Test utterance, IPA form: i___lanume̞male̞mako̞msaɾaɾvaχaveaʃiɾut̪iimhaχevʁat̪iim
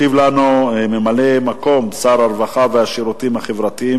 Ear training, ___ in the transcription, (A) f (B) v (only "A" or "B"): B